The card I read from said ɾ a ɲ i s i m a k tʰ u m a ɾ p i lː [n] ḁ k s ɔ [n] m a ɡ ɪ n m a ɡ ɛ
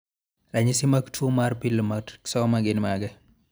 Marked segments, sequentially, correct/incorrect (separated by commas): incorrect, incorrect